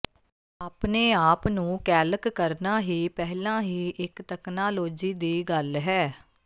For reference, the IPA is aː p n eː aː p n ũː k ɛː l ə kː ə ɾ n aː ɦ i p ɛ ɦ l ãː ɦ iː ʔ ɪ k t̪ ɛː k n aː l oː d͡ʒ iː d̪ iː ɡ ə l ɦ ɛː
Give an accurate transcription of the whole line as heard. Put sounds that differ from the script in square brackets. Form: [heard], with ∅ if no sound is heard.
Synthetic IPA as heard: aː p n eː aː p n ũː k ɛː l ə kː ə ɾ n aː ɦ [iː] p ɛ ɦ l ãː ɦ iː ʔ ɪ k t̪ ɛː k n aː l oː d͡ʒ iː d̪ iː ɡ ə l ɦ ɛː